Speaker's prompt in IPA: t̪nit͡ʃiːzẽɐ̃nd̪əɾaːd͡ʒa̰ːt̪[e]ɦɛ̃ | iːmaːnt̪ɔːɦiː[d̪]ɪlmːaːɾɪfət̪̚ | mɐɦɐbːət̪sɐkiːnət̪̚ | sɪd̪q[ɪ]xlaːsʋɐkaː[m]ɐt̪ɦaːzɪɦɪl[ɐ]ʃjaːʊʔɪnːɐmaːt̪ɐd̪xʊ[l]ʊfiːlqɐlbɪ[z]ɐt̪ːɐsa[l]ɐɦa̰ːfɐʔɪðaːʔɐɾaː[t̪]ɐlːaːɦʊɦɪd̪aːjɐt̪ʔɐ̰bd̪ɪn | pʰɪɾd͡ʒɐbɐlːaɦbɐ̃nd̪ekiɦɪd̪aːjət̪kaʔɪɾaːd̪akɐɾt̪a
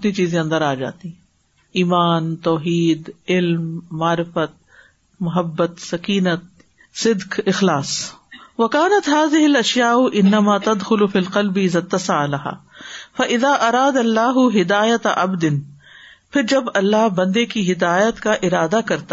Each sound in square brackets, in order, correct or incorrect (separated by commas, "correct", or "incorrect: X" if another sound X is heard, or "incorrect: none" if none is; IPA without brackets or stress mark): incorrect: i, correct, correct, incorrect: n, correct, correct, correct, correct, incorrect: d̪